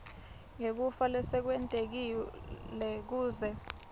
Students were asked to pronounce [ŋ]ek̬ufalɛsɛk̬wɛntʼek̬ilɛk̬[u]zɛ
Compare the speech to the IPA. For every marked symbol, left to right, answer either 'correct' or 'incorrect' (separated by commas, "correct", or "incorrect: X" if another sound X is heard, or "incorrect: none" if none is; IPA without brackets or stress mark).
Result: correct, incorrect: uː